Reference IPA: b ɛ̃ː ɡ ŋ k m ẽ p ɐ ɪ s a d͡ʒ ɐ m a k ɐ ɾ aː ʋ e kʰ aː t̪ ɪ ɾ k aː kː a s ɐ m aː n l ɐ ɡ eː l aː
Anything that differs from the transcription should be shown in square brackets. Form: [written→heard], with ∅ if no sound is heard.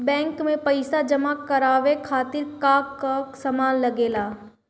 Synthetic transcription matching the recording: b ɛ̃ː [ɡ→∅] ŋ k m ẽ p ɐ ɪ s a d͡ʒ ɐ m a k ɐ ɾ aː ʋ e kʰ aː t̪ ɪ ɾ k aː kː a s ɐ m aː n l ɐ ɡ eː l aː

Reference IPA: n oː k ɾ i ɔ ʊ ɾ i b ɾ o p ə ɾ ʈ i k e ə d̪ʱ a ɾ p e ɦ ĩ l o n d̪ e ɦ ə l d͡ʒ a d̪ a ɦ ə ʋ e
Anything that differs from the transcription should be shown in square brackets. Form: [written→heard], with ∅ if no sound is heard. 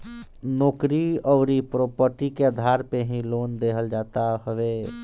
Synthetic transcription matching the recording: n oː k ɾ i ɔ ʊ ɾ i [b→p] ɾ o p ə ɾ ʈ i k e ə d̪ʱ a ɾ p e ɦ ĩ l o n d̪ e ɦ ə l d͡ʒ a [d̪→t̪] a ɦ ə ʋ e

